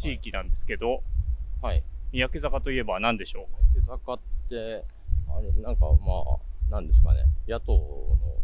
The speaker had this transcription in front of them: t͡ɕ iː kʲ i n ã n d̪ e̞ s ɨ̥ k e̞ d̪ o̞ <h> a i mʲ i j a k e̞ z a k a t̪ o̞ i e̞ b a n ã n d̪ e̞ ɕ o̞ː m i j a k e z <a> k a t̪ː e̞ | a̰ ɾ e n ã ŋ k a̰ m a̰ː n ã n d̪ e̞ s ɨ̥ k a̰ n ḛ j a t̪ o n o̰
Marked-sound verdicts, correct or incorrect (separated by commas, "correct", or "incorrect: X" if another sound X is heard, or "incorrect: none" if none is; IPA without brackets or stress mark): correct, correct